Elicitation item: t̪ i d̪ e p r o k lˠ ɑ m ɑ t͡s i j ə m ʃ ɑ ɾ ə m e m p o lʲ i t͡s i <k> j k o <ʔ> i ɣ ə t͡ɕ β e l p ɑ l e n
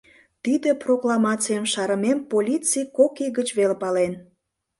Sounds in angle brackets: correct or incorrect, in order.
incorrect, incorrect

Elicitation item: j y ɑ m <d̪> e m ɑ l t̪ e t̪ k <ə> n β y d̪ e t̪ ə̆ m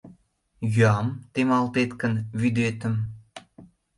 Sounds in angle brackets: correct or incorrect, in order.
incorrect, correct

